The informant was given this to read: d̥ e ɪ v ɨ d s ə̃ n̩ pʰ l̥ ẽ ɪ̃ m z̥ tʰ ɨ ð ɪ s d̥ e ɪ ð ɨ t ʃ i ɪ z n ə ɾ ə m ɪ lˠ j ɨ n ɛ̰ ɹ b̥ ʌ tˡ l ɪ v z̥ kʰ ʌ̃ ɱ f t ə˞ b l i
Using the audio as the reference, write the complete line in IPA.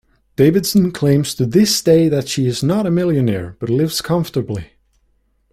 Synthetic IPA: d̥ e ɪ v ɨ d s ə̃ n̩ kʰ l̥ ẽ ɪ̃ m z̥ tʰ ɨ ð ɪ s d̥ e ɪ ð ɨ t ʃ i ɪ z n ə ɾ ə m ɪ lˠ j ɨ n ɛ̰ ɹ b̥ ʌ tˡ l ɪ v z̥ kʰ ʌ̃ ɱ f t ə˞ b l i